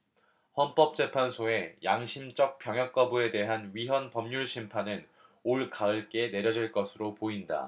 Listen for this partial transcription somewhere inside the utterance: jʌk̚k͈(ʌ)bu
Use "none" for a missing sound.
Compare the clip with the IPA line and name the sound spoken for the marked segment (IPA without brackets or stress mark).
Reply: ʌ